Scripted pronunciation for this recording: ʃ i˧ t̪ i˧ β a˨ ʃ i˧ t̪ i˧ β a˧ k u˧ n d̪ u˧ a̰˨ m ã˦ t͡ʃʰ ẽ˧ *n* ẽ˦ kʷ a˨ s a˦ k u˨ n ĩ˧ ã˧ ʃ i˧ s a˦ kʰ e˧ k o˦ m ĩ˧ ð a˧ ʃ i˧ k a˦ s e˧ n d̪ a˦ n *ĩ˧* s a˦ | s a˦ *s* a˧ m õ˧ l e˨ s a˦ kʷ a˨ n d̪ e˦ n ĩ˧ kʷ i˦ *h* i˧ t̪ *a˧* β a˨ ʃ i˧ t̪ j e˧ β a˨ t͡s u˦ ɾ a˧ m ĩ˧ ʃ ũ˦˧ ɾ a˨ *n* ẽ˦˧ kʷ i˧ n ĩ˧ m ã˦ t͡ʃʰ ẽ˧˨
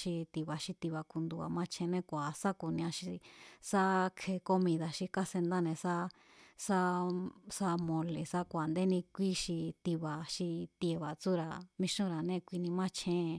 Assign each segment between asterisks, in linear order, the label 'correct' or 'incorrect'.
correct, incorrect: ẽ˧, correct, incorrect: ʃ, incorrect: i˧, correct

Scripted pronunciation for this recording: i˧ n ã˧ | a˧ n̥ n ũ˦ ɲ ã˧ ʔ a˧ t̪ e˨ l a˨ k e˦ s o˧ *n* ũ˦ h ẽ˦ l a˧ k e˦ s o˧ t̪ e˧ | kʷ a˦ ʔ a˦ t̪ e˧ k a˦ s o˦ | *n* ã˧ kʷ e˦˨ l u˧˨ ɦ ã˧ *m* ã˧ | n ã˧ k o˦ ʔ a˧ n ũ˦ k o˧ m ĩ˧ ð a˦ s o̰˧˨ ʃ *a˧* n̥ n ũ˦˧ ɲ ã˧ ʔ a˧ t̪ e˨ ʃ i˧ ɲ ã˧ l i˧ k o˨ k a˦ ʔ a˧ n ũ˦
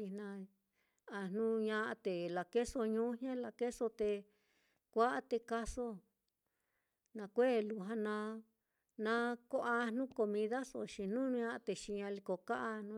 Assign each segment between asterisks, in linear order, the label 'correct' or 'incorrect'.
incorrect: ɲ, correct, incorrect: n, incorrect: i˧

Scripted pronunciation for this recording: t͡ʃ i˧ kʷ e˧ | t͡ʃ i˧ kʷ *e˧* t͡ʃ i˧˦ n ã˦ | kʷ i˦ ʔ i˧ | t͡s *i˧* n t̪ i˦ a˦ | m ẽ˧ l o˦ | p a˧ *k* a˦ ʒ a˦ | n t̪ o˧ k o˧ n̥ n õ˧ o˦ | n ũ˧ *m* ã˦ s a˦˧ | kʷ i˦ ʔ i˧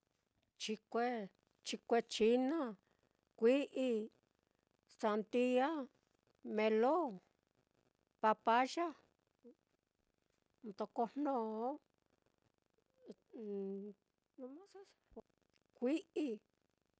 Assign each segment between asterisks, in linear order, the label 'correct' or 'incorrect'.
correct, incorrect: a˧, incorrect: p, correct

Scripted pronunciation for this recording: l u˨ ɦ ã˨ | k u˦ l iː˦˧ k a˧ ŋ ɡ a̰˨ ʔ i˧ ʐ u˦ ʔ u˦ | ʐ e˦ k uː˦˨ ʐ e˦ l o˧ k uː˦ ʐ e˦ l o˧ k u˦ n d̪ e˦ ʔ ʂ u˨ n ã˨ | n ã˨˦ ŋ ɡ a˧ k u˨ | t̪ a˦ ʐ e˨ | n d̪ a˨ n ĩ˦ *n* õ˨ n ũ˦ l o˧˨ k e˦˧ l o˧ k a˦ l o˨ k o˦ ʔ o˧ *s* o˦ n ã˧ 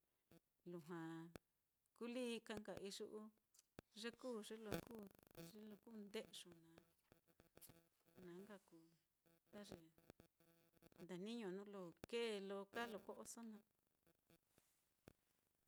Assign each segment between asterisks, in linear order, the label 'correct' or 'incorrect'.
incorrect: ɲ, correct

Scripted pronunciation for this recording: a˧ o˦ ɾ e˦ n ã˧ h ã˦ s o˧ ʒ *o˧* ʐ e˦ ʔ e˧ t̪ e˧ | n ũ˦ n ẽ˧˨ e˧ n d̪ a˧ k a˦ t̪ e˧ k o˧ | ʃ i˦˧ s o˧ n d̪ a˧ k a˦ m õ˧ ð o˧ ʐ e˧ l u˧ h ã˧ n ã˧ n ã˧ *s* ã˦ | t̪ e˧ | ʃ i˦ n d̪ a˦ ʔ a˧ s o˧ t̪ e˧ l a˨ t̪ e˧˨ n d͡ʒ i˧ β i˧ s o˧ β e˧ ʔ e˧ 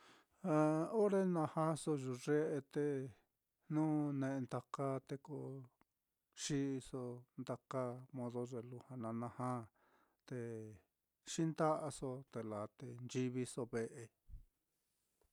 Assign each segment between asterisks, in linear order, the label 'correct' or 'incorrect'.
incorrect: u˧, incorrect: h

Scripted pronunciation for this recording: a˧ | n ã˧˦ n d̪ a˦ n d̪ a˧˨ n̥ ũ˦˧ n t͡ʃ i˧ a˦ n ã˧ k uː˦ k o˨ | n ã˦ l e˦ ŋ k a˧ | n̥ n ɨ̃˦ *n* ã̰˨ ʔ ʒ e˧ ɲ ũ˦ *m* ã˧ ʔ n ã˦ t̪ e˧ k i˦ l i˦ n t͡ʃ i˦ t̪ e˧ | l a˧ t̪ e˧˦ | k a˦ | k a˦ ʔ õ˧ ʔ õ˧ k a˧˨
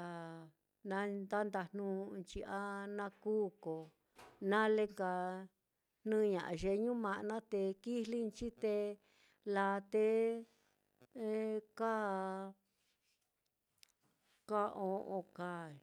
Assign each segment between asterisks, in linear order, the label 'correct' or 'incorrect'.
incorrect: ɲ, correct

